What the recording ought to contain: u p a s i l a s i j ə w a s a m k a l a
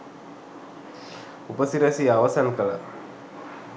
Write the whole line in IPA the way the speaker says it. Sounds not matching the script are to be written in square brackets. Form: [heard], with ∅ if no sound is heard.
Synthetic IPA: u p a s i [ɾ] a s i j [a] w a s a [n] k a l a